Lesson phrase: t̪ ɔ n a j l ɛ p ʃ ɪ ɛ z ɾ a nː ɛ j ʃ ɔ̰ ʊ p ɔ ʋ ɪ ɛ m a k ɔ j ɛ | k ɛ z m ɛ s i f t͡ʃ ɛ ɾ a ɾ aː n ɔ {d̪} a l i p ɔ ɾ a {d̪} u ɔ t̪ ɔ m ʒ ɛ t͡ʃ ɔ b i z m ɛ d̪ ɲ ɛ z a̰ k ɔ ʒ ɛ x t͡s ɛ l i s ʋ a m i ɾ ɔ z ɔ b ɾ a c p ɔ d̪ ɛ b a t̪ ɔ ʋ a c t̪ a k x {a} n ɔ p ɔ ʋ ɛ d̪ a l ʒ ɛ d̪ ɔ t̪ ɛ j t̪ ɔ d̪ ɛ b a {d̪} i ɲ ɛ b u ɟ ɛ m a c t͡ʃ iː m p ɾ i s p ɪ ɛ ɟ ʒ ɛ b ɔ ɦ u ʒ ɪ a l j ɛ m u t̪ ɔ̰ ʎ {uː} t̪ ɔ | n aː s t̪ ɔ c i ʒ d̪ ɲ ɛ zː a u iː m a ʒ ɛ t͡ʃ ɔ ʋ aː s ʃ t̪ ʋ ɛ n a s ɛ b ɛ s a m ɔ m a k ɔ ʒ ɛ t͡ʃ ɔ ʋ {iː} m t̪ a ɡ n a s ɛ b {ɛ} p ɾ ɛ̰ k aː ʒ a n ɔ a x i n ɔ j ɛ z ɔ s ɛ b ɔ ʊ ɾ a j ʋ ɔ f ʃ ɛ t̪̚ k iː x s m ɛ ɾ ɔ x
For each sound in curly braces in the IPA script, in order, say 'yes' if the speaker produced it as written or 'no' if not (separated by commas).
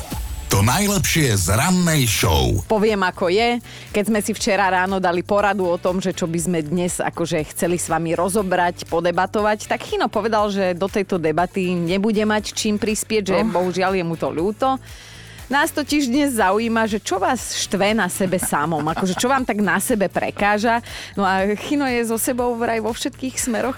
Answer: yes, yes, no, no, yes, no, yes